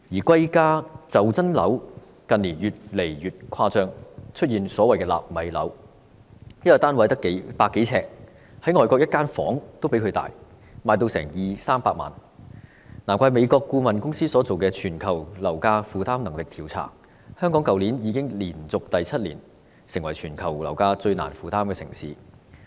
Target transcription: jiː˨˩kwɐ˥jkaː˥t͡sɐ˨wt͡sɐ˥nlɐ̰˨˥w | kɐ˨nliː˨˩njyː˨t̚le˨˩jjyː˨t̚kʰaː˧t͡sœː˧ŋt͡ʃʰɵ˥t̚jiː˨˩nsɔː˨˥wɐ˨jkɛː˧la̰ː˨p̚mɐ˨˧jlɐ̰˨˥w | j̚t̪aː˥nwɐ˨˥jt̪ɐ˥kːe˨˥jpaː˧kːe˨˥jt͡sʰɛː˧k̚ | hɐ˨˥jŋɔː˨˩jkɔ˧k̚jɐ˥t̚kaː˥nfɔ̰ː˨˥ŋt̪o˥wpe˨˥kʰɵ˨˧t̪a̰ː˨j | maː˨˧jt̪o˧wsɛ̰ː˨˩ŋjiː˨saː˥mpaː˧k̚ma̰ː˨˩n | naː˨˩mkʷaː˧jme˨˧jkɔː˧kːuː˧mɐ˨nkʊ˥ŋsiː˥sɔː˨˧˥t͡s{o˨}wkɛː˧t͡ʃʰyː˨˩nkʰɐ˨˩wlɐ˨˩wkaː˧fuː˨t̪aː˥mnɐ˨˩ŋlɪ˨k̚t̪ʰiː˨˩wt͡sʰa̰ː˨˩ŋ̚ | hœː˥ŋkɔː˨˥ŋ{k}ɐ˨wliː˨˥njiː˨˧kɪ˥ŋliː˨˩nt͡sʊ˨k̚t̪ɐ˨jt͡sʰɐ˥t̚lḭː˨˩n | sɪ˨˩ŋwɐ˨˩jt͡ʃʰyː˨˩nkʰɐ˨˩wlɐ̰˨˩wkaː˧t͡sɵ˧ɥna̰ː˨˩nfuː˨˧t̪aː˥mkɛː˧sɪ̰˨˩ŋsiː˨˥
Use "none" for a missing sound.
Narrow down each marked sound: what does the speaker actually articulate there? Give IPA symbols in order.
o˨, k

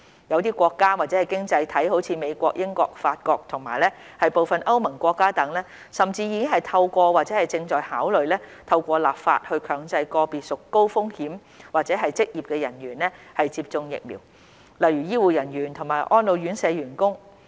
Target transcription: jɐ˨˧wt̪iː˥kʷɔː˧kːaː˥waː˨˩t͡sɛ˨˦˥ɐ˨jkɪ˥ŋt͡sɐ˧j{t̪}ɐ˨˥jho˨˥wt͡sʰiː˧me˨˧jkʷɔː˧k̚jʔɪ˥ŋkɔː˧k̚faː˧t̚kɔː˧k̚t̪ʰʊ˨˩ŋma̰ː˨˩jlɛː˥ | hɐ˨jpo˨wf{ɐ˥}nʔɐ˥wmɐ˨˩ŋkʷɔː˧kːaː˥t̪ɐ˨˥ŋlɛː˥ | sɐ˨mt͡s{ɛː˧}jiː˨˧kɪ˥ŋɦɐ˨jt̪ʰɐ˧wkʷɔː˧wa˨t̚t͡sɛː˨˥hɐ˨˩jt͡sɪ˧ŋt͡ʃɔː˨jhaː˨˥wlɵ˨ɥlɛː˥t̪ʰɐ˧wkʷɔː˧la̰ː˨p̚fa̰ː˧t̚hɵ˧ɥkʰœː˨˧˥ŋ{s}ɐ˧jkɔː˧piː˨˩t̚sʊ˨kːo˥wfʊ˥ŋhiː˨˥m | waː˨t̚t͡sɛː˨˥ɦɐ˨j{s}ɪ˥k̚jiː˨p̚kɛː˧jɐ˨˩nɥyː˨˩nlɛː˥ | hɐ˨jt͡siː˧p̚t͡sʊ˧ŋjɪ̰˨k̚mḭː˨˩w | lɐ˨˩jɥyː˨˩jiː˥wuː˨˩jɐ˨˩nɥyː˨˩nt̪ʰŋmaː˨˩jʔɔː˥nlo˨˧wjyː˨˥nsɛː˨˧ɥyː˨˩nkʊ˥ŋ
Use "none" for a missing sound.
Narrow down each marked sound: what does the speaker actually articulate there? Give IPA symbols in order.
t̪ʰ, ɐ˨, iː˧, t͡s, t͡s

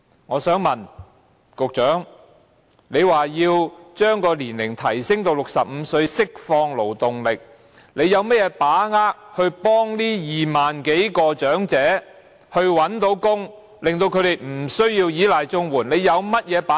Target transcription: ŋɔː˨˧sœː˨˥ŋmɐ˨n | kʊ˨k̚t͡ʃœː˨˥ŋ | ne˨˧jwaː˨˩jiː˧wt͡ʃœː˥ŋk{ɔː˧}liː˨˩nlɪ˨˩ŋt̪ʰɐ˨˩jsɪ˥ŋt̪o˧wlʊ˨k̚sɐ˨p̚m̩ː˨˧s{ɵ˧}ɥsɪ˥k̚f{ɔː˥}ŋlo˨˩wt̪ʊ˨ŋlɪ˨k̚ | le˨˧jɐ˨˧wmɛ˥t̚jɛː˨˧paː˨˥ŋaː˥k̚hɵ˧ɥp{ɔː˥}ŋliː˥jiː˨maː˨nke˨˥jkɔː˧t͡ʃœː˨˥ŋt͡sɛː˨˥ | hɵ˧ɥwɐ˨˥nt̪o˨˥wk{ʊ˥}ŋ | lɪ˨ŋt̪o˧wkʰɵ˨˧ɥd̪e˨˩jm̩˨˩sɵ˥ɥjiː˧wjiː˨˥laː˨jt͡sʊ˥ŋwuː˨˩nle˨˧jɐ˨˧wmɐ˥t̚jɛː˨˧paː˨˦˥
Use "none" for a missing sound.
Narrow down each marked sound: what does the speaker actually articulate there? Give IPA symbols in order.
ɔː˧, ɵ˧, ɔː˧, ɔː˥, ʊ˥

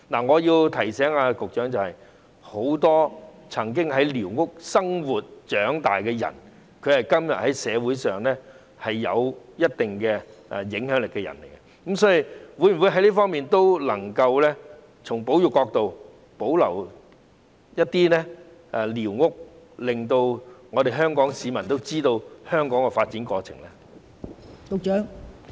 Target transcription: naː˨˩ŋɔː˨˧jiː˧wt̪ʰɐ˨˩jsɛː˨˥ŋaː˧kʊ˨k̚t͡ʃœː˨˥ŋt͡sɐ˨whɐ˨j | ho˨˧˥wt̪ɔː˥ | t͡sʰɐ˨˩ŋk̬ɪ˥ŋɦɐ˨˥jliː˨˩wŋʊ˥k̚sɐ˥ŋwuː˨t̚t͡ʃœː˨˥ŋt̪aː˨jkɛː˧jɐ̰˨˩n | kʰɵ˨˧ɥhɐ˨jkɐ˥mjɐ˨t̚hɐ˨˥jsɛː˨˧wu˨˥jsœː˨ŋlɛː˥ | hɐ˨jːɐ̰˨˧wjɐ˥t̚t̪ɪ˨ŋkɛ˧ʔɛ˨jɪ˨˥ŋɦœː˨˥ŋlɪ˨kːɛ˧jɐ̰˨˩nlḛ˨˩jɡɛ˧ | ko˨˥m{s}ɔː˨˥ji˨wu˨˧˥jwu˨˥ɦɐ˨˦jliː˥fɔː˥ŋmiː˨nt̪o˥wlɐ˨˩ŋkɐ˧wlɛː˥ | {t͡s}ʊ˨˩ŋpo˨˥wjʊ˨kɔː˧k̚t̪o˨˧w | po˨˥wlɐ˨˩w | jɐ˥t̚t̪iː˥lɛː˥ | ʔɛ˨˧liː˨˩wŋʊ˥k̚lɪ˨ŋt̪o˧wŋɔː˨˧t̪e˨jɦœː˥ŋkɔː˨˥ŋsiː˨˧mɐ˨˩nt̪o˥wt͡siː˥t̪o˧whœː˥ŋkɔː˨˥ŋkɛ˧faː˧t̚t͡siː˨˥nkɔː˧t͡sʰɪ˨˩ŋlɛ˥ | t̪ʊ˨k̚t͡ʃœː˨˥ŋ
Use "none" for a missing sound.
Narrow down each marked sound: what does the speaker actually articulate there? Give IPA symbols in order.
s, t͡sʰ

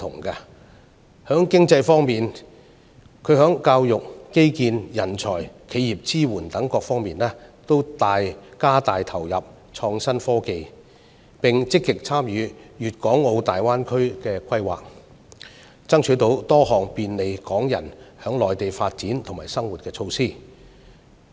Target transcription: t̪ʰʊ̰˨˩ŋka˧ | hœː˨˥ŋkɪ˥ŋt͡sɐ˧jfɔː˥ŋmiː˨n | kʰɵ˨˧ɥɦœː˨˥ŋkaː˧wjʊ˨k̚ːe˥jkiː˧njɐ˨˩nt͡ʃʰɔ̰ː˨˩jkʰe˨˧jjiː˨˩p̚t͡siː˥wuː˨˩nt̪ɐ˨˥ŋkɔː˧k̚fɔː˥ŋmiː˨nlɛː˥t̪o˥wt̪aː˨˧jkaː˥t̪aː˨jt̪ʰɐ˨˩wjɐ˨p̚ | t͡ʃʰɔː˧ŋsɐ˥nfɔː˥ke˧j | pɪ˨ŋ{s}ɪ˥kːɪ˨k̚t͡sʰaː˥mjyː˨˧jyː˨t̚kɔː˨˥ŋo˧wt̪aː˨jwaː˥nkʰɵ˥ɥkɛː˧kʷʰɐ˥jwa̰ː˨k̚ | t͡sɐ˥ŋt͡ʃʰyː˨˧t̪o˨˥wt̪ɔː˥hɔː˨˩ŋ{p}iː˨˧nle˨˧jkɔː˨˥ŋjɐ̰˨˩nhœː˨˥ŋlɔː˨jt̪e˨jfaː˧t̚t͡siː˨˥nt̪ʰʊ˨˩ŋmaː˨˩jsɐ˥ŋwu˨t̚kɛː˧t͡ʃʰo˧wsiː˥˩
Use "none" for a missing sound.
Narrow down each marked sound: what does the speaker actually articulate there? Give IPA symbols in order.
t͡s, p

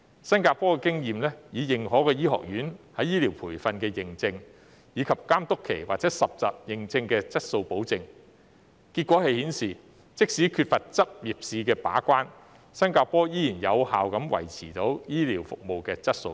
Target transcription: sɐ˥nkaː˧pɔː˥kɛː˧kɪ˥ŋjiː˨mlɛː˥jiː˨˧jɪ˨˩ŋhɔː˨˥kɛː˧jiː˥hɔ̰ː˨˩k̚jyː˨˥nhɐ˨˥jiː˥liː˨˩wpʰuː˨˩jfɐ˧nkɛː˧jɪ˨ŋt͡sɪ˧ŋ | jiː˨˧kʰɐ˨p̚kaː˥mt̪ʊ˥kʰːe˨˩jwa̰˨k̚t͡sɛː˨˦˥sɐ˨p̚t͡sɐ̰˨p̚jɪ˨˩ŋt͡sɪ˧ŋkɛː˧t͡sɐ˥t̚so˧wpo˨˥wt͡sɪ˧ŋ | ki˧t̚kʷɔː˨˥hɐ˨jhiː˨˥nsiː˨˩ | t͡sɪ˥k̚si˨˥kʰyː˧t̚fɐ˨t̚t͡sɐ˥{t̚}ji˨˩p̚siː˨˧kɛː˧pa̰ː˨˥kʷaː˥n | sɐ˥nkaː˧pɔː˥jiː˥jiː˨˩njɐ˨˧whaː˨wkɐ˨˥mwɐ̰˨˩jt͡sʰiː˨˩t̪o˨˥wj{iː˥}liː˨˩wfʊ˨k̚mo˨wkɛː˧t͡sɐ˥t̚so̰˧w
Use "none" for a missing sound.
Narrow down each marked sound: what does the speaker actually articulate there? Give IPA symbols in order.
p̚, iː˥

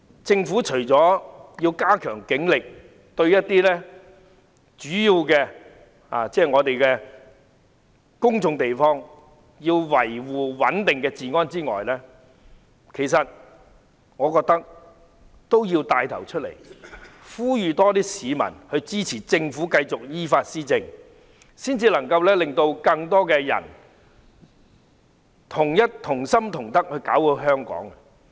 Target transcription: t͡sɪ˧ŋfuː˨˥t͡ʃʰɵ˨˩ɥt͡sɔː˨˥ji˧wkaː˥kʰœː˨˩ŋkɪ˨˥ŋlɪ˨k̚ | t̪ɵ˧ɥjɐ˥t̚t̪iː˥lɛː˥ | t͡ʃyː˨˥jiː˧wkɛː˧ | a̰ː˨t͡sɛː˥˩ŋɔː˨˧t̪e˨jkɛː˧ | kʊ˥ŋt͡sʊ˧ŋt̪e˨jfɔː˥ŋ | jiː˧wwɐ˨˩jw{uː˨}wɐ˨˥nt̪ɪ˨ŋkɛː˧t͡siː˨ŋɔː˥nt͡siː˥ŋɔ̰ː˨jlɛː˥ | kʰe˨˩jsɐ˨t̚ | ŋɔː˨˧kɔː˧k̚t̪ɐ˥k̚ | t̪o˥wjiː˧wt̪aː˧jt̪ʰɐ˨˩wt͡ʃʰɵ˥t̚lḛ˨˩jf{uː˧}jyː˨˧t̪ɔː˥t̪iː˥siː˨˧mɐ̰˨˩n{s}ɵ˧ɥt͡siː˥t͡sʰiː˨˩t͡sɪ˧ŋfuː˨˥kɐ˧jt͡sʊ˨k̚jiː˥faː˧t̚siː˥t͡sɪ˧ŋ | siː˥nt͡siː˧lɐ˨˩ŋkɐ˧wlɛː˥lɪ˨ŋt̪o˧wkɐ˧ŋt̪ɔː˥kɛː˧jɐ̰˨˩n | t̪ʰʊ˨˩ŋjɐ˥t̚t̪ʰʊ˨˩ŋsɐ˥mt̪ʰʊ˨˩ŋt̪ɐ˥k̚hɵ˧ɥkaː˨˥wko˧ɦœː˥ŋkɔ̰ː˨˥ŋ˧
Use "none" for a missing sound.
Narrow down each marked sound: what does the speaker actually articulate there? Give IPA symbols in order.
uː˨, uː˥, h

